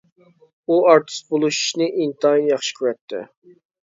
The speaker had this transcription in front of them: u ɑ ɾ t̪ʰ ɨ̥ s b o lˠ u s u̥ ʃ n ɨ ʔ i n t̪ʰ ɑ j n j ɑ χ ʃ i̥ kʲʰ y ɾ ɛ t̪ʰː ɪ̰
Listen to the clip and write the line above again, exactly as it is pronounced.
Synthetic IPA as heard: u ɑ ɾ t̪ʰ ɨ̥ s b o lˠ u ʃ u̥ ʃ n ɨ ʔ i n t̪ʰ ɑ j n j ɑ χ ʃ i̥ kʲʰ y ɾ ɛ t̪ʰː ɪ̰